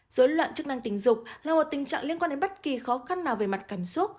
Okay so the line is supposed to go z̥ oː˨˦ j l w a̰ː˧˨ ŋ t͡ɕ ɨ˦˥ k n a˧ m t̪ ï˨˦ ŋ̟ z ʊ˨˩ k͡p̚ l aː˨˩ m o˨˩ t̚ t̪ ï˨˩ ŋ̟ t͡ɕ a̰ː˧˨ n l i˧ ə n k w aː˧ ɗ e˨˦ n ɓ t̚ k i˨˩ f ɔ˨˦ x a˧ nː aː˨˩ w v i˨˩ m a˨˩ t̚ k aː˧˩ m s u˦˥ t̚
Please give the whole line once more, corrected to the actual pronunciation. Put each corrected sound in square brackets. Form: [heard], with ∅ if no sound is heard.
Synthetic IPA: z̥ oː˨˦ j l w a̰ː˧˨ [n] t͡ɕ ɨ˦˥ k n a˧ [ŋ] t̪ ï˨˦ ŋ̟ z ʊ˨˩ k͡p̚ l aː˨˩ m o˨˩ t̚ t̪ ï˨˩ ŋ̟ t͡ɕ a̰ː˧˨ [ŋ] l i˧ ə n k w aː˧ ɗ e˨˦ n ɓ t̚ k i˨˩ [x] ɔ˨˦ x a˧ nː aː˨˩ w v [e˨˩] m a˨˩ t̚ k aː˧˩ m s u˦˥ t̚